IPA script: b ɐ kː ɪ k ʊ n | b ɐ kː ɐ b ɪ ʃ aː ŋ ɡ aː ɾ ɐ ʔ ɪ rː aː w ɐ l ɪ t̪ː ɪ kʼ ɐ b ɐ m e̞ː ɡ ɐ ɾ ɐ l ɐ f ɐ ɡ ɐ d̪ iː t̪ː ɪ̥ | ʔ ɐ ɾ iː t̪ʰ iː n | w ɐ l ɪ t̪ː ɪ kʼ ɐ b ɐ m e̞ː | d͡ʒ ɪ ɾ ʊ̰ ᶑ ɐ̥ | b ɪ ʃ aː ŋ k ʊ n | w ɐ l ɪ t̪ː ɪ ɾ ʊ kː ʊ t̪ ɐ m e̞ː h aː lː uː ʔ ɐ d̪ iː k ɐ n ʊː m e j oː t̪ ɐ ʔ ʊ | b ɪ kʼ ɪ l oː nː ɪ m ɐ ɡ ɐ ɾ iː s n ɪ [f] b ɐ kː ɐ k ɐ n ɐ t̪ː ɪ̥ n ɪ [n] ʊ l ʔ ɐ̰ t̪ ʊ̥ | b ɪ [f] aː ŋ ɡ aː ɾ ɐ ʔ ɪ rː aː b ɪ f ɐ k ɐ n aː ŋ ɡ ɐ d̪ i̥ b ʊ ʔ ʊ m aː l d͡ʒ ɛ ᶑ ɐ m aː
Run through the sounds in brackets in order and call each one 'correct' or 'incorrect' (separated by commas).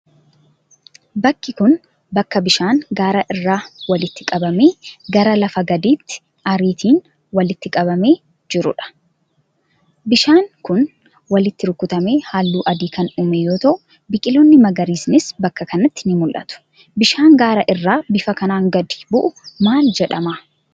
incorrect, incorrect, incorrect